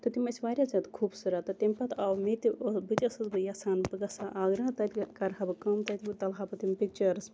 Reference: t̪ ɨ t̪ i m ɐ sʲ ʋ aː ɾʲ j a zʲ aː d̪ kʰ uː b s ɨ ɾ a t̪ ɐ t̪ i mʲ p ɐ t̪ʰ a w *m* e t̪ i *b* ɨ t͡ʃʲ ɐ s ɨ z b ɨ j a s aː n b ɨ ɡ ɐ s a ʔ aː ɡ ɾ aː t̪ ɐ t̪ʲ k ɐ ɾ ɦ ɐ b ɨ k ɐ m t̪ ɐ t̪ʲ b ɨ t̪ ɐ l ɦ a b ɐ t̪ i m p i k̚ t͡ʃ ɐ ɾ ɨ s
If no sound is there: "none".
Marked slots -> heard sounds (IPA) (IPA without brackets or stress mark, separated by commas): m, b